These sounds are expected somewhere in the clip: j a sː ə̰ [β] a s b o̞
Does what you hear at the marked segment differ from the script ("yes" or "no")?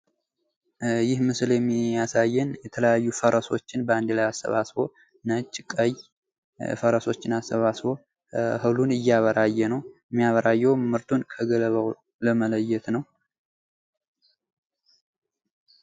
no